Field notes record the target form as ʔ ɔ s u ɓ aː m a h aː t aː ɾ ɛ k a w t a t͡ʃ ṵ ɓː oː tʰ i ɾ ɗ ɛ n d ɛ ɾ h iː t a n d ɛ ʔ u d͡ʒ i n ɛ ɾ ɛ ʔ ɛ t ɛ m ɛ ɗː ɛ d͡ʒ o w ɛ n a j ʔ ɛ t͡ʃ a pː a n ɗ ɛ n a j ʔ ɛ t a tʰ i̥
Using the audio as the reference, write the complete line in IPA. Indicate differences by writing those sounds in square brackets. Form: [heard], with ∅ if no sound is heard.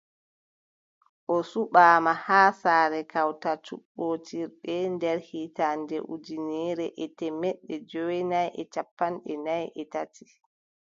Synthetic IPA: ʔ ɔ s u ɓ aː m a h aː [s] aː ɾ ɛ k a w t a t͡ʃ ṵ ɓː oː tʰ i ɾ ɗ ɛ n d ɛ ɾ h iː t a n d ɛ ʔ u d͡ʒ i n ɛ ɾ ɛ ʔ ɛ t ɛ m ɛ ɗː ɛ d͡ʒ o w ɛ n a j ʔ ɛ t͡ʃ a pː a n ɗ ɛ n a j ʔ ɛ t a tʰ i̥